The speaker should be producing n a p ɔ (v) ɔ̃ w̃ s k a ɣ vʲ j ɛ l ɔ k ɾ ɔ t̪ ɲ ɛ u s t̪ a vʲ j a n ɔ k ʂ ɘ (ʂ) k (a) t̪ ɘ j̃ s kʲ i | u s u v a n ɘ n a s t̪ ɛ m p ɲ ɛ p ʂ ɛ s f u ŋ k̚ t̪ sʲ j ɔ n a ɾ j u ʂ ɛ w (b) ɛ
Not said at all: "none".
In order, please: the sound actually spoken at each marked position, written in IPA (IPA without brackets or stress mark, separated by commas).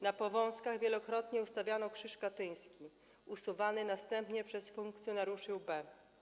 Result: v, ʂ, a, b